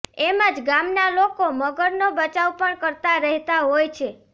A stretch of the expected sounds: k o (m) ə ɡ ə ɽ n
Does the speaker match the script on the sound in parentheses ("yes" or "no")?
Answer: yes